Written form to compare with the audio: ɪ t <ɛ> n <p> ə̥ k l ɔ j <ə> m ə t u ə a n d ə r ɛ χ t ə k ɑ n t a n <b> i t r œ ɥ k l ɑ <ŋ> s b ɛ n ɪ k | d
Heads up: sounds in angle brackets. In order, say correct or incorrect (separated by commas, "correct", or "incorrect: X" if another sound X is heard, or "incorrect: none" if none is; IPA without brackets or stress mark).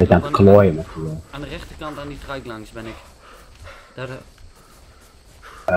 incorrect: a, incorrect: t, correct, incorrect: d, correct